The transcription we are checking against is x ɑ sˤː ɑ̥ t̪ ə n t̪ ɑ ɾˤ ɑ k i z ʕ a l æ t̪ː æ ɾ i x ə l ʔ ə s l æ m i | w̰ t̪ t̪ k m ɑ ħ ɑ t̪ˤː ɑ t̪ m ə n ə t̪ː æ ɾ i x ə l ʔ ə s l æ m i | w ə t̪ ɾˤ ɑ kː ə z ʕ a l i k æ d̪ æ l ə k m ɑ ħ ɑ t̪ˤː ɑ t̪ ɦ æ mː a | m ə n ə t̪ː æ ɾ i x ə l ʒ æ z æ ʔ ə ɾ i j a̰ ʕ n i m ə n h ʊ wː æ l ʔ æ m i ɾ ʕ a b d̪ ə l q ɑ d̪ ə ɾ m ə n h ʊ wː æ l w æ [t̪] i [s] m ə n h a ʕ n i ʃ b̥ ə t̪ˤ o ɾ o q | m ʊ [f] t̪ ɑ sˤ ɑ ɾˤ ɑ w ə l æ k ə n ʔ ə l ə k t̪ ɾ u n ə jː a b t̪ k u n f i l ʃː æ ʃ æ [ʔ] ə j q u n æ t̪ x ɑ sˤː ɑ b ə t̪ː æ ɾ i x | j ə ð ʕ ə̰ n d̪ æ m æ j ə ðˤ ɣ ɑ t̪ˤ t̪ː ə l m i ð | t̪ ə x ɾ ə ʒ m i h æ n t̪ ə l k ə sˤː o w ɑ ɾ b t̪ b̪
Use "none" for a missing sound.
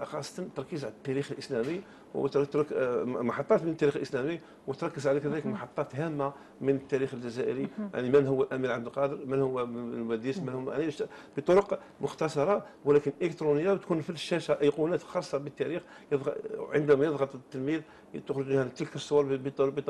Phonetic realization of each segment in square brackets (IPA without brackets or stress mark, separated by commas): d̪, s, x, ʔ